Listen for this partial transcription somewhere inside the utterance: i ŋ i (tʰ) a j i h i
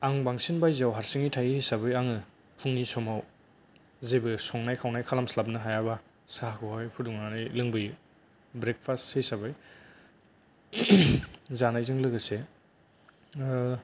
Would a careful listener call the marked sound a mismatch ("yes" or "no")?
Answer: no